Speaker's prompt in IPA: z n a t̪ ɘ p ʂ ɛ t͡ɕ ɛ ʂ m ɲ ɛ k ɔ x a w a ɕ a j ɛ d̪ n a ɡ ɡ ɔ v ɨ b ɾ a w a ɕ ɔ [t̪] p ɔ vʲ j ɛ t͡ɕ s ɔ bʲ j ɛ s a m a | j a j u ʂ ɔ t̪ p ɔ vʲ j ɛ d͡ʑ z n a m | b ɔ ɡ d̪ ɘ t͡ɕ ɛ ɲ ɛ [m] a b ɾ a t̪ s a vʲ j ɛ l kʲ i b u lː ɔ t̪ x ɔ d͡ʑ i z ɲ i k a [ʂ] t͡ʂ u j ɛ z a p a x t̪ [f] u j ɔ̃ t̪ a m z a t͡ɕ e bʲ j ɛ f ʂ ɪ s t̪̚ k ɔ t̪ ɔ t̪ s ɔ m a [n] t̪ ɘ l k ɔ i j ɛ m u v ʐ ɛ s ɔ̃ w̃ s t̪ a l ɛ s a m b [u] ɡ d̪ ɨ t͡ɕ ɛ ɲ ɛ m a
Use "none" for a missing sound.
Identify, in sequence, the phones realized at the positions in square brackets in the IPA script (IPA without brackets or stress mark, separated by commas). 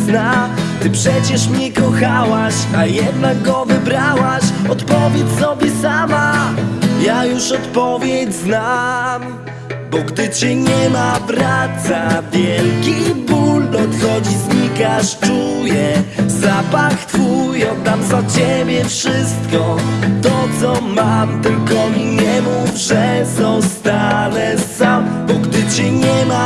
t̪, m, ʂ, f, m, ɔ